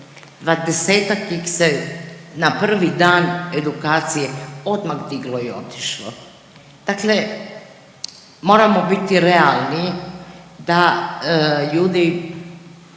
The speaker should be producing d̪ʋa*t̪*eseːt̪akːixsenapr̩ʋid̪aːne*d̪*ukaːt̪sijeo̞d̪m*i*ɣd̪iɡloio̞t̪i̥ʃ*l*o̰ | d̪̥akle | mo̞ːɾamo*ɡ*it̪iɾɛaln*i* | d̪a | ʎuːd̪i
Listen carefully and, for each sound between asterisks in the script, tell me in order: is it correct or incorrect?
incorrect: d̪, correct, incorrect: a, correct, incorrect: b, correct

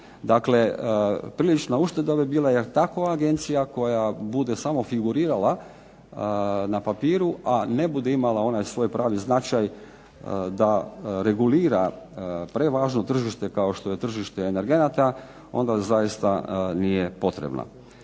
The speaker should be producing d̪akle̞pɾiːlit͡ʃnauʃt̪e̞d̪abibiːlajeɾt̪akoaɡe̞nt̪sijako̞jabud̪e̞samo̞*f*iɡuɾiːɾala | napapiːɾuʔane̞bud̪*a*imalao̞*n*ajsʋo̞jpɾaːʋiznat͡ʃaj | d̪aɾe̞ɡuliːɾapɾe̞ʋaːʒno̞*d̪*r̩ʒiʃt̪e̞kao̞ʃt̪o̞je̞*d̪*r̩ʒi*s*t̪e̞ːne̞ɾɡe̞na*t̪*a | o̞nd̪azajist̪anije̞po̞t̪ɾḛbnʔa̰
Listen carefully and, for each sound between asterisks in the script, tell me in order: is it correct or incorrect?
correct, incorrect: e, correct, incorrect: t̪, incorrect: t̪, incorrect: ʃ, correct

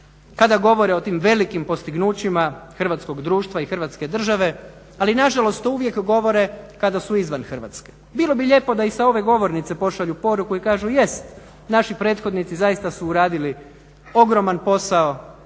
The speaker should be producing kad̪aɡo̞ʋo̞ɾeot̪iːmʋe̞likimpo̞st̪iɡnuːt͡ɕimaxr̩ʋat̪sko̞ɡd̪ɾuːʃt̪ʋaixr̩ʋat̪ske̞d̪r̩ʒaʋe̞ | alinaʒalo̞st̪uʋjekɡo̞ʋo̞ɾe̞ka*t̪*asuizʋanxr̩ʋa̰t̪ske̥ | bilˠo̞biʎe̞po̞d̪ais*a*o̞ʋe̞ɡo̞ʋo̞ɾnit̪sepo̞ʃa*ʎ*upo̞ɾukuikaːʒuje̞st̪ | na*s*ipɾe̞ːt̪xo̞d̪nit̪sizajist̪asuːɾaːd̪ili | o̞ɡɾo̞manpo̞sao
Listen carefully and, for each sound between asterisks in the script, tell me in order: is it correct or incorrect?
incorrect: d̪, correct, correct, incorrect: ʃ

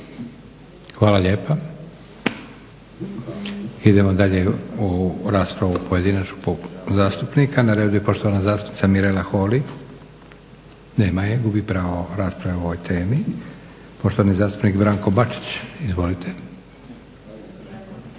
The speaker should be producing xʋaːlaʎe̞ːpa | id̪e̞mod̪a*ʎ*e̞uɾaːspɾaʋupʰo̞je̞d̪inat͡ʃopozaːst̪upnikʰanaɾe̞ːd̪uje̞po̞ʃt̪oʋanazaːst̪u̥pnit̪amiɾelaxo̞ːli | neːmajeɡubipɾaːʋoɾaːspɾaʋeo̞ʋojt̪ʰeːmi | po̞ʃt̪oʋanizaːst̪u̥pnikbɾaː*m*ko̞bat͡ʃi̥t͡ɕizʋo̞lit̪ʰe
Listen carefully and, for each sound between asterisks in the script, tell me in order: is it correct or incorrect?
correct, incorrect: ŋ

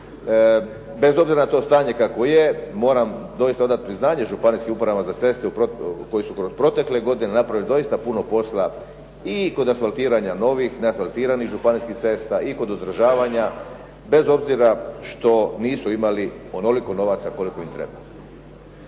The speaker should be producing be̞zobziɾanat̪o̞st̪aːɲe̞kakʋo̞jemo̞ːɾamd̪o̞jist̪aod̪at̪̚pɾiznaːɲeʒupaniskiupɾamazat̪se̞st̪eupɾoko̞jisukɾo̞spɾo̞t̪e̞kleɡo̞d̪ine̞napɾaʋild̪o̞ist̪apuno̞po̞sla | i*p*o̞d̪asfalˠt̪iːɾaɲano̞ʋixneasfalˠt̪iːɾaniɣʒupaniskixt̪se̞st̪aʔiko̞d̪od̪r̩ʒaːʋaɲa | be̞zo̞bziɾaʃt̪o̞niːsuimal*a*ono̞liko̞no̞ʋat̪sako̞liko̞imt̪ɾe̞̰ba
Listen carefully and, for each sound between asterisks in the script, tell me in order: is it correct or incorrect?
incorrect: k, incorrect: i

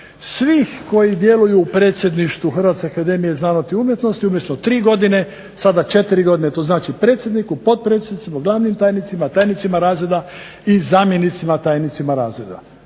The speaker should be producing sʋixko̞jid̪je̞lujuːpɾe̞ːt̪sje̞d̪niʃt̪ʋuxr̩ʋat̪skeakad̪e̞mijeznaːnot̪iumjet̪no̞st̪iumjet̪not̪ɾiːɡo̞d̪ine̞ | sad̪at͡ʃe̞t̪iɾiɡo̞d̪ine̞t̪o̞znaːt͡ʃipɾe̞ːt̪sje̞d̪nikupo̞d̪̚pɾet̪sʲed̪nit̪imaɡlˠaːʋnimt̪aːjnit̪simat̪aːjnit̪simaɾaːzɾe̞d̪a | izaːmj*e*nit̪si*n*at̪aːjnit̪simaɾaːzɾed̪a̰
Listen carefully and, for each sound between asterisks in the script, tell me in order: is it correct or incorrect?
correct, incorrect: m

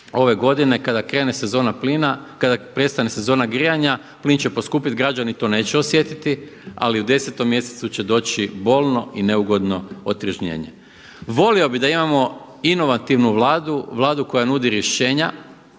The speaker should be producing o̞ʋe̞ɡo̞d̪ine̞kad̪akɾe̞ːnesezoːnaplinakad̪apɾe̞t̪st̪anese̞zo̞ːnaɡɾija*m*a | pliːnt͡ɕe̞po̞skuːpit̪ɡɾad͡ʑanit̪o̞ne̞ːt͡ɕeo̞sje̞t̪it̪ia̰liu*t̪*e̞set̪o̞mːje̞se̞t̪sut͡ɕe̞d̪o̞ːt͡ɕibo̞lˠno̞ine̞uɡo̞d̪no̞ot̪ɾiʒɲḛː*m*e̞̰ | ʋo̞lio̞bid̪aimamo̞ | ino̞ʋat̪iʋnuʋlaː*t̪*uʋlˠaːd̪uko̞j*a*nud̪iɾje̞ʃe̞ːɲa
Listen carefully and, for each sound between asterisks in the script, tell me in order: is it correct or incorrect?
incorrect: ɲ, incorrect: d̪, incorrect: ɲ, incorrect: d̪, correct

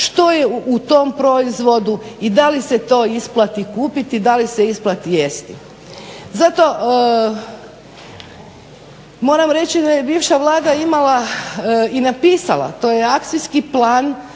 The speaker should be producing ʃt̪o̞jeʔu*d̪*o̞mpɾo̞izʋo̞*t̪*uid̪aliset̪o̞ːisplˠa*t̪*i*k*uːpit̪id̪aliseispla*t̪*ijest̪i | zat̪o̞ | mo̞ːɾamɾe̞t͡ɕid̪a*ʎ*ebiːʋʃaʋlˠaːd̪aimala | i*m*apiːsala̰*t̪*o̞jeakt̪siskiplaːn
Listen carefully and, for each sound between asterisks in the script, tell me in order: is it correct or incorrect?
incorrect: t̪, incorrect: d̪, correct, correct, correct, incorrect: j, incorrect: n, correct

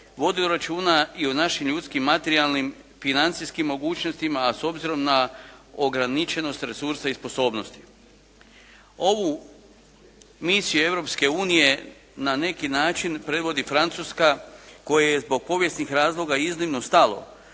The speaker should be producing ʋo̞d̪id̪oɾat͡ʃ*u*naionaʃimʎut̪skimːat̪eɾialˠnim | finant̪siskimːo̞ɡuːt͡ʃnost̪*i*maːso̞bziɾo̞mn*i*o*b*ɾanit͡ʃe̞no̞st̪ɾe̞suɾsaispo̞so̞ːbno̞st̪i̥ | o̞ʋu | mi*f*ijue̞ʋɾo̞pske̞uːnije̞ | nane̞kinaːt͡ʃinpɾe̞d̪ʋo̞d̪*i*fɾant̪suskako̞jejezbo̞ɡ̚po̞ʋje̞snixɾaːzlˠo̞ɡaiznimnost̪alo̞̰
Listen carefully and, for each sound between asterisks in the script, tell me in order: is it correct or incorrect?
incorrect: uː, correct, incorrect: a, incorrect: ɡ, incorrect: s, correct

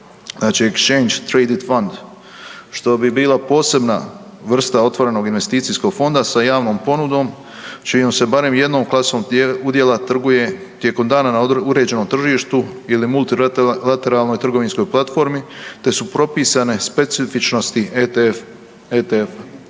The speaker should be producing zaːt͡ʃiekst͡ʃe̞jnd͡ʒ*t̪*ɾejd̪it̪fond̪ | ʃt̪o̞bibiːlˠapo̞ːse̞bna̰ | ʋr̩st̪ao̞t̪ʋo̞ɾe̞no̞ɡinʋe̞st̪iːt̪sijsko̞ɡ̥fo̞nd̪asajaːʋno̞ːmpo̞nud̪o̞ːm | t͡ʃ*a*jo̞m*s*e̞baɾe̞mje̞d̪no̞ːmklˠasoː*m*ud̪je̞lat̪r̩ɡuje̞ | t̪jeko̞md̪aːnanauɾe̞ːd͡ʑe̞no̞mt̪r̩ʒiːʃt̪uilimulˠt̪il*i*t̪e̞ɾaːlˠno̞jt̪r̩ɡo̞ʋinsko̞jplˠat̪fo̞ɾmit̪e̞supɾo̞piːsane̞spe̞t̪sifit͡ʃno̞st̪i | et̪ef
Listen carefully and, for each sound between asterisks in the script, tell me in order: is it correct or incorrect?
correct, incorrect: i, correct, correct, incorrect: a

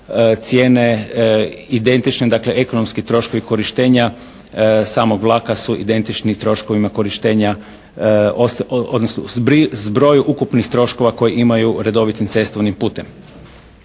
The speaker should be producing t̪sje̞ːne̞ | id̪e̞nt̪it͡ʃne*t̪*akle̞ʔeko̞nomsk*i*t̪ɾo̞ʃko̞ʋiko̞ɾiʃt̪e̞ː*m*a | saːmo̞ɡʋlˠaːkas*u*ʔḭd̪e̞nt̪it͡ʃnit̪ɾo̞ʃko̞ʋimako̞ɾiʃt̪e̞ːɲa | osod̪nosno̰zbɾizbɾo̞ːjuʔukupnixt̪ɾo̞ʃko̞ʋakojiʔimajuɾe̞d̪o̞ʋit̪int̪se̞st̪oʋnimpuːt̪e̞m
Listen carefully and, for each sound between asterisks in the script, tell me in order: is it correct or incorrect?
incorrect: d̪, correct, incorrect: ɲ, correct

